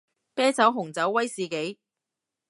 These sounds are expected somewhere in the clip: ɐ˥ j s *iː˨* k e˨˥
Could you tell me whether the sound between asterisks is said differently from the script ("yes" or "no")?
no